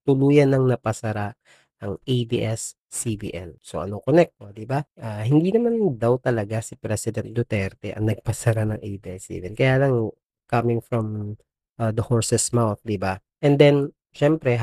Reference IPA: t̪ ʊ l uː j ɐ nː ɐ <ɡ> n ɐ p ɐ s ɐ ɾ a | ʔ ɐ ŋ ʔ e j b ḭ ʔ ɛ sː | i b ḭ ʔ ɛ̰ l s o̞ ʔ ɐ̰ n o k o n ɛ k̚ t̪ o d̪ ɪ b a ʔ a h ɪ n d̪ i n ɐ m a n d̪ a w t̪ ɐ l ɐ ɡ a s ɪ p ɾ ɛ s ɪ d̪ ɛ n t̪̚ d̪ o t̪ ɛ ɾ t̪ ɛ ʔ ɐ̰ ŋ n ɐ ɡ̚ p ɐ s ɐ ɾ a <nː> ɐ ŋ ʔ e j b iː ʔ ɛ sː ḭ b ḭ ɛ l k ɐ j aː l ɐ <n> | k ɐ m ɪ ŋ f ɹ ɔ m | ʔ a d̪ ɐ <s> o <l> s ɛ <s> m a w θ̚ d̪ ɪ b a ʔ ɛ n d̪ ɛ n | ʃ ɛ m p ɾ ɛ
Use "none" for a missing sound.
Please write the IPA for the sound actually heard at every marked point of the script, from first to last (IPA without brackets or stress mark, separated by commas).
ŋ, n, ŋ, h, ɹ, s